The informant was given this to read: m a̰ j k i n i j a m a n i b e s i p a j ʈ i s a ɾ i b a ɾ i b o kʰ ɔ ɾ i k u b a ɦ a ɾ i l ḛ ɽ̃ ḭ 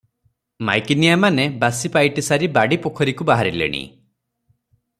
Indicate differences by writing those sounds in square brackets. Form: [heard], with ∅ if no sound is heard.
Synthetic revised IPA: m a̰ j k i n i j a m a n [e] b [a] s i p a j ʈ i s a ɾ i b a [ɽ] i [p] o kʰ ɔ ɾ i k u b a ɦ a ɾ i l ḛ ɽ̃ ḭ